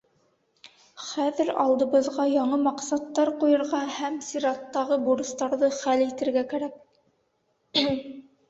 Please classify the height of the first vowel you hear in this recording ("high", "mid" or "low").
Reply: low